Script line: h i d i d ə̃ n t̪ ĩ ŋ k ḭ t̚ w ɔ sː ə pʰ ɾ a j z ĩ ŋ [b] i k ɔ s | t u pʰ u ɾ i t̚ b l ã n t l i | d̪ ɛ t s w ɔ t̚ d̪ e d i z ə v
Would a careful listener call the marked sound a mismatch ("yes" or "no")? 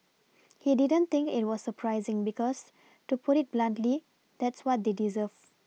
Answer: no